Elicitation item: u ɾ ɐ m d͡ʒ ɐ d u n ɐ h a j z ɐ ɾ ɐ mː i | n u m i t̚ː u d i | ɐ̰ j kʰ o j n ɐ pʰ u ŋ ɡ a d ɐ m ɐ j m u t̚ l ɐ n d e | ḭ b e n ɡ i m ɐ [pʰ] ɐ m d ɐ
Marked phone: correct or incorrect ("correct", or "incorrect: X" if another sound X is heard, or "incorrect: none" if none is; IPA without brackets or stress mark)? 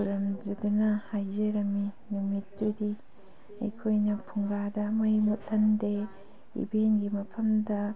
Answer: correct